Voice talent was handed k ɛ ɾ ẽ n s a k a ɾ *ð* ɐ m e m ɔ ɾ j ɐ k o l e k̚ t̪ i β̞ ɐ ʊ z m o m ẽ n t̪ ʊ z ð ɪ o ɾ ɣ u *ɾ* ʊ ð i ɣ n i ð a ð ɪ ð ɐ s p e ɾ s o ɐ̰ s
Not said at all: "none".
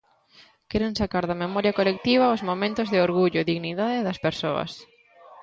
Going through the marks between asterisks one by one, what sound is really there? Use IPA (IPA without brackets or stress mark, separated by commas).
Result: ð, ʎ